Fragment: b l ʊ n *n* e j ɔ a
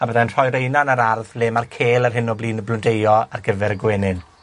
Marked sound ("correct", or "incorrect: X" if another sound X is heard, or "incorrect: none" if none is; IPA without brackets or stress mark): incorrect: d